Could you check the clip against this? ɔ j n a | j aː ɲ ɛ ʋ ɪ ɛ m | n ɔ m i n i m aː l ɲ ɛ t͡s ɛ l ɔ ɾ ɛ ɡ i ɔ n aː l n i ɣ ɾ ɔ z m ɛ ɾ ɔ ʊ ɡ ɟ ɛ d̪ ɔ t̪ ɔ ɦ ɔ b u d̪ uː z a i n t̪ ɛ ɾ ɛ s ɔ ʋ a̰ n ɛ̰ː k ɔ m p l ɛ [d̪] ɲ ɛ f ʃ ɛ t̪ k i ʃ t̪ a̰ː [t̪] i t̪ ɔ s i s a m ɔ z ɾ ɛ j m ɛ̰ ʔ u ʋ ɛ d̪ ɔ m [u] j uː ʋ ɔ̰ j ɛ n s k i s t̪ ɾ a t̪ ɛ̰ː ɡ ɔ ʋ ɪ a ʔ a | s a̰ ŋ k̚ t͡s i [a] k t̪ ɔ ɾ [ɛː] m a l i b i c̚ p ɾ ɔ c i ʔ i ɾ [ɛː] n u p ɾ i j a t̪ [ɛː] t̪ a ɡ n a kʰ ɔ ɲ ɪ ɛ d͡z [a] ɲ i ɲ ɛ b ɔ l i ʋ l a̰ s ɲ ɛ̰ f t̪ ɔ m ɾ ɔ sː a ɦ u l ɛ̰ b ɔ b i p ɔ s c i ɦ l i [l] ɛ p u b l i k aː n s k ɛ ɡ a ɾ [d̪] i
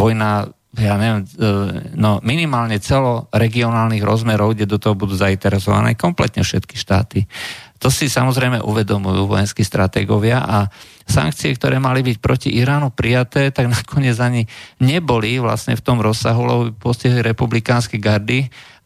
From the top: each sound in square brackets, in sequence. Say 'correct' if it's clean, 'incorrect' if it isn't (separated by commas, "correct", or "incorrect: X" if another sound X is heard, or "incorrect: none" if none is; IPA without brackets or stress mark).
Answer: incorrect: t̪, correct, correct, incorrect: ɛ, correct, incorrect: aː, correct, correct, incorrect: ɾ, correct